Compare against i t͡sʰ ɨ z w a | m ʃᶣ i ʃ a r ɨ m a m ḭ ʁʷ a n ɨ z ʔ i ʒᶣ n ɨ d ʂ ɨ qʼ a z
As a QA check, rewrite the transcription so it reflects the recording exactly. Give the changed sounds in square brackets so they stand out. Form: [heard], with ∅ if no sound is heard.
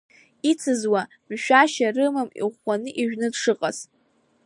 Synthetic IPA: i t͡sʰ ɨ z w a | m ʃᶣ [a] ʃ a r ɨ m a m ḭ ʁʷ a n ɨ [∅] ʔ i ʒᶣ n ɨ d ʂ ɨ qʼ a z